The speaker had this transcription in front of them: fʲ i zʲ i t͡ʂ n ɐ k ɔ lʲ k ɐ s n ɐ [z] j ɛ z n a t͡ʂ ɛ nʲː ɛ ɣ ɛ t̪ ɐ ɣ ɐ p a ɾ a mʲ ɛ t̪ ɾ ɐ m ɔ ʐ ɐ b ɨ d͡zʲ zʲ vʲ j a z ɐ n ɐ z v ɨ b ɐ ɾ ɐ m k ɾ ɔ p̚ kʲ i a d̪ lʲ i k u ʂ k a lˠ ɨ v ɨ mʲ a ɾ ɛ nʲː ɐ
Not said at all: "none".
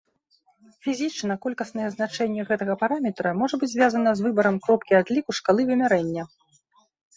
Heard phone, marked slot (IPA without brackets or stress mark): none